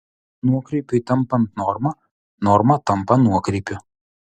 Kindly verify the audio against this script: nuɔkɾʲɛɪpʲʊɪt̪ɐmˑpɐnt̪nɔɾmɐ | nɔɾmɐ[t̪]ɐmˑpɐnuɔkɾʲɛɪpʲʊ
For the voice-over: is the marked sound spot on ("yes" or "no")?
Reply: yes